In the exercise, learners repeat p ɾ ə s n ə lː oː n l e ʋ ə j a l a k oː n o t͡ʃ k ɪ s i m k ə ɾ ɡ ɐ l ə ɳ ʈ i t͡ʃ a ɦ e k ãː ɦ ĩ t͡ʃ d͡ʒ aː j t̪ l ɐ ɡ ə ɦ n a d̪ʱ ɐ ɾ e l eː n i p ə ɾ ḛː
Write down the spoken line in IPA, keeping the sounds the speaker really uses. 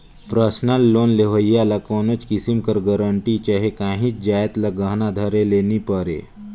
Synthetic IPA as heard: p ɾ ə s n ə lː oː n l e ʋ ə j a l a k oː n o t͡ʃ k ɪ s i m k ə ɾ ɡ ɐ ɾ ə ɳ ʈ i t͡ʃ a ɦ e k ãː ɦ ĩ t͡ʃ d͡ʒ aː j t̪ l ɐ ɡ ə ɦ n a d̪ʱ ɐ ɾ e l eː n i p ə ɾ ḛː

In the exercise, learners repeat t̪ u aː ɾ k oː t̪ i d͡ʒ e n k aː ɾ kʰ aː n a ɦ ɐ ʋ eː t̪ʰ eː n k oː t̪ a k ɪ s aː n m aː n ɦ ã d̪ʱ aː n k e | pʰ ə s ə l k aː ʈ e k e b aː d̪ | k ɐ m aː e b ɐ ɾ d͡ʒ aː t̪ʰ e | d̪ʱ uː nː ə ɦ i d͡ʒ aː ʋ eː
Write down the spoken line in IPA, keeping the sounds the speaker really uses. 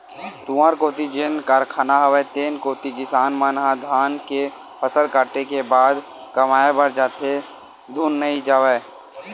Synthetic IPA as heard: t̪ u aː ɾ k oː t̪ i d͡ʒ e n k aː ɾ kʰ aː n a ɦ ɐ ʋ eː t̪ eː n k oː t̪ i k ɪ s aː n m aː n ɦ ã d̪ʱ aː n k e | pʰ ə s ə l k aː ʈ e k e b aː d̪ | k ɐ m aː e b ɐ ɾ d͡ʒ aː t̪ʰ e | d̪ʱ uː nː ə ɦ i d͡ʒ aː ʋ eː

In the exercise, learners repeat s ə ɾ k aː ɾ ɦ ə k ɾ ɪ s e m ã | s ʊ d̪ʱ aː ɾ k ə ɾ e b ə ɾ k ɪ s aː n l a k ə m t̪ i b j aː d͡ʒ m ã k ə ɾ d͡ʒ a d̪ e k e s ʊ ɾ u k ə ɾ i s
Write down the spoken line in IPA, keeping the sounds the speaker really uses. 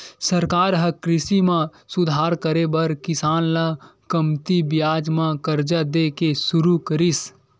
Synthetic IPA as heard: s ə ɾ k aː ɾ ɦ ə k ɾ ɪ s i m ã | s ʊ d̪ʱ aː ɾ k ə ɾ e b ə ɾ k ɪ s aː n l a k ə m t̪ i b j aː d͡ʒ m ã k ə ɾ d͡ʒ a d̪ e k e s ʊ ɾ u k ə ɾ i s

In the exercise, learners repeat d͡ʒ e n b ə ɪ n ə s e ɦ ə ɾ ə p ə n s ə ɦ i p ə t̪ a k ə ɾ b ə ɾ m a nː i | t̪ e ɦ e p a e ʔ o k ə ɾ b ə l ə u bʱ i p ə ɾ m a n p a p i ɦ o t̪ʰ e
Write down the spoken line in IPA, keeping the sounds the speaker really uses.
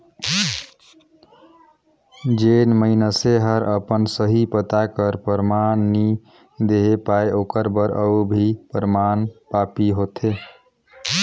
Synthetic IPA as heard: d͡ʒ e n m ə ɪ n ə s e ɦ ə ɾ ə p ə n s ə ɦ i p ə t̪ a k ə ɾ p ə ɾ m a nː i | d̪ e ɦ e p a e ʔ o k ə ɾ b ə ɾ ə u bʱ i p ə ɾ m a n p a p i ɦ o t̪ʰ e

